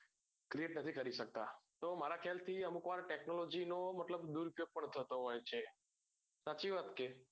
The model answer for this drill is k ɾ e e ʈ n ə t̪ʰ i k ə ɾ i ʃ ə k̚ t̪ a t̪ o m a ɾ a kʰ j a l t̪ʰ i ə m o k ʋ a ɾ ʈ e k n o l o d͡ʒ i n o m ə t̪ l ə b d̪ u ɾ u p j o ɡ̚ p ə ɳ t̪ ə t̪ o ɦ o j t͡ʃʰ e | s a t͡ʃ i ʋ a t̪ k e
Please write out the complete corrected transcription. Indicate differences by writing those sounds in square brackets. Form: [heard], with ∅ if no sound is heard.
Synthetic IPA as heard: k ɾ [i] e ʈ n ə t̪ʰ i k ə ɾ i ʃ ə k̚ t̪ a t̪ o m a ɾ a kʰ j a l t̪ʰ i ə m [u] k ʋ a ɾ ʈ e k n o l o d͡ʒ i n o m ə t̪ l ə b d̪ u ɾ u p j o ɡ̚ p ə ɳ [t̪ʰ] ə t̪ o ɦ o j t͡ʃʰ e | s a t͡ʃ i ʋ a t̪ k e